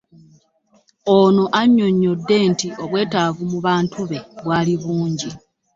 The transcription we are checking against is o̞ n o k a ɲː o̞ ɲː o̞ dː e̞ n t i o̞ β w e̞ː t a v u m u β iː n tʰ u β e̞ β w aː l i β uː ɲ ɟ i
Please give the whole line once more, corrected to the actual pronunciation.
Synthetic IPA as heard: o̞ n o ʔ a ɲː o̞ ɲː o̞ dː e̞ n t i o̞ β w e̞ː t a v u m u β aː n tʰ u β e̞ β w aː l i β uː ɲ ɟ i